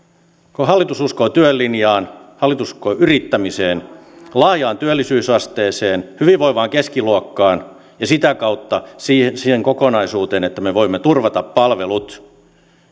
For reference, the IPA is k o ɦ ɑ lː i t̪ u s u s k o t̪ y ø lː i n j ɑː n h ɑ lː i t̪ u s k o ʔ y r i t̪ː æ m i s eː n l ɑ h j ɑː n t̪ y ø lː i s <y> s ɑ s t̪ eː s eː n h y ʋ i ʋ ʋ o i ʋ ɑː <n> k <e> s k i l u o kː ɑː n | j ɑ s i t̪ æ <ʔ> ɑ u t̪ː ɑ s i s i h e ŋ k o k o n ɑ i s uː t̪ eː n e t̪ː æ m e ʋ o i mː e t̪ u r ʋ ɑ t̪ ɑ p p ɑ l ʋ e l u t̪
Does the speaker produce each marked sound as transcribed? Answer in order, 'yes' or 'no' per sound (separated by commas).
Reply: no, no, yes, no